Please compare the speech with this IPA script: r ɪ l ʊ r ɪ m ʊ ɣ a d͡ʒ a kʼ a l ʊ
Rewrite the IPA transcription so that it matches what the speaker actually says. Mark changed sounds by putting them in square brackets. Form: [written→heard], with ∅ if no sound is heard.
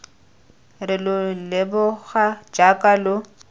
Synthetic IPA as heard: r ɪ l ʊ [r→l] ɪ [m→b] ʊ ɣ a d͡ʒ a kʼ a l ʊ